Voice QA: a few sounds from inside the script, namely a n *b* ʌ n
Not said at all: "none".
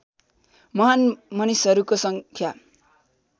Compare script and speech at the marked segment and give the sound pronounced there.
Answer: m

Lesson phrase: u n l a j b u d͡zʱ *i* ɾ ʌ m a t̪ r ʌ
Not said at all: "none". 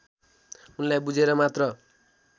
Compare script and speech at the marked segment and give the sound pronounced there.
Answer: e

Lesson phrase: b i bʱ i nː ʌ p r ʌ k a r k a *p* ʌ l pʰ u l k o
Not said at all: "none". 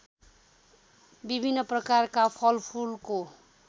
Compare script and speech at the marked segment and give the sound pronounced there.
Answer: pʰ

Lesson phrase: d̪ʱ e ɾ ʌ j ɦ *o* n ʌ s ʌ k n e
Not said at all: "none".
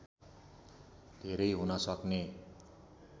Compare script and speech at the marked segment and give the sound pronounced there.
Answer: u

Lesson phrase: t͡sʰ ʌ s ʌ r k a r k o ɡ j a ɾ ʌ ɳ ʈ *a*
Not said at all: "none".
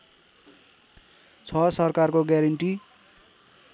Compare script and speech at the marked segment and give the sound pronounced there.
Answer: i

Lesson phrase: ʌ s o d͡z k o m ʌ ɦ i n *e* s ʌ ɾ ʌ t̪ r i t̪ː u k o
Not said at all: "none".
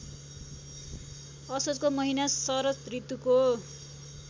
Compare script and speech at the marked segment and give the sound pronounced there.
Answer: a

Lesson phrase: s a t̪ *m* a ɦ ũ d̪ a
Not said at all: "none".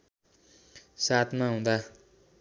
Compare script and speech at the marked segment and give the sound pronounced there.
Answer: m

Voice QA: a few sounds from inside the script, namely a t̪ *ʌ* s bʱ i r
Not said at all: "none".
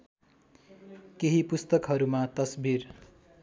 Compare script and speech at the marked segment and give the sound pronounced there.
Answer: ʌ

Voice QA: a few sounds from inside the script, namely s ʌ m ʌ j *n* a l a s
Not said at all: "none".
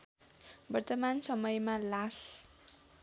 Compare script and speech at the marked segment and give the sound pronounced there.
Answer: m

